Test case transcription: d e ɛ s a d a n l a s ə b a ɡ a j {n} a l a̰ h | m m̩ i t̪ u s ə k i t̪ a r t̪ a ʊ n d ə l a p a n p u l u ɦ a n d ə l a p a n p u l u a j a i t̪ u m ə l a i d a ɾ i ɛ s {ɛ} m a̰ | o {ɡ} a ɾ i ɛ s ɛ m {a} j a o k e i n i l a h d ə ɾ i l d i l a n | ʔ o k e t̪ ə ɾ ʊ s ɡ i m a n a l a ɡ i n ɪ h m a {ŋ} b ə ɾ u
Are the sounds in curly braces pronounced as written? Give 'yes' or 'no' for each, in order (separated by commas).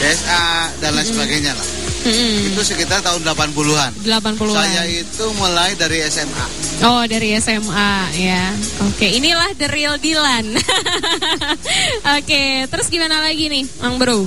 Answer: no, yes, no, yes, yes